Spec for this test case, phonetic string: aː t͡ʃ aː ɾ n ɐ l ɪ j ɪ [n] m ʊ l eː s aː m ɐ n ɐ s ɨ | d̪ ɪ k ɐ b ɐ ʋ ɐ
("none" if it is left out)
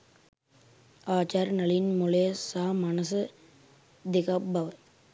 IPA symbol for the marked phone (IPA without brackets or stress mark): n